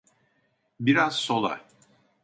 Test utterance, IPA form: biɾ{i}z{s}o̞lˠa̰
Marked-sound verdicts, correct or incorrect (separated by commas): incorrect, correct